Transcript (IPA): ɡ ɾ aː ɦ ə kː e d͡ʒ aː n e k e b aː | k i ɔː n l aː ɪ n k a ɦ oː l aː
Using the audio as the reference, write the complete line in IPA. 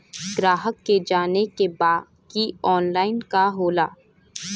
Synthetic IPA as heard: ɡ ɾ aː ɦ ə kː e d͡ʒ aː n e k e b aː | k i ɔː n l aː ɪ n k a ɦ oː l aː